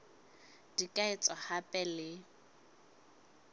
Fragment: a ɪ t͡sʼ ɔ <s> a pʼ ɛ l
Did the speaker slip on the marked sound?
yes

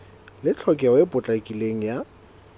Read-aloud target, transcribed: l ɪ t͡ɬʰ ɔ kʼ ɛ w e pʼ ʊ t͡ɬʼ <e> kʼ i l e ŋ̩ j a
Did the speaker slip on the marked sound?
yes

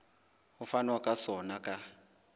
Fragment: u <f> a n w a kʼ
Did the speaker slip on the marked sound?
no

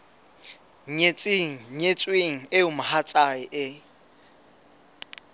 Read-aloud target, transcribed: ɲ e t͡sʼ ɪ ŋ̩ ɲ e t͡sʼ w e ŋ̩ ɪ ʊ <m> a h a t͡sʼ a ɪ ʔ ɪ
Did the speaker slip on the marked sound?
no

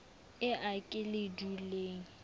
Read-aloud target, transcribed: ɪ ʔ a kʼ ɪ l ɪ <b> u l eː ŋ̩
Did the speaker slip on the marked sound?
yes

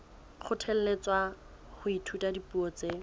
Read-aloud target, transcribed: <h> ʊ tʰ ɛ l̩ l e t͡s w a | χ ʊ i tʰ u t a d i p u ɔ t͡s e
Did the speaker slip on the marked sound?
yes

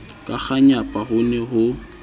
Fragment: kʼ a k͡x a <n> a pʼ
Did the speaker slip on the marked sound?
yes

